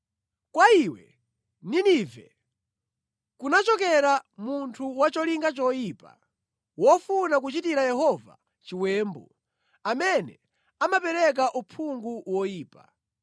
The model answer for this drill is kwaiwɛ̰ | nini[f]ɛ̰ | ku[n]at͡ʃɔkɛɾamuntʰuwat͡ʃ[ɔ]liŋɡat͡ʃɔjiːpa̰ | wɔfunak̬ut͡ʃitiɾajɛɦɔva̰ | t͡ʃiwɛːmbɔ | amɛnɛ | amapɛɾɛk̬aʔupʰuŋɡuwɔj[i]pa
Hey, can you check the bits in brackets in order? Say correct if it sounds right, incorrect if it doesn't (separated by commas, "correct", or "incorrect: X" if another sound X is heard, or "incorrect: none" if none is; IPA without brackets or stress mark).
incorrect: v, correct, correct, incorrect: iː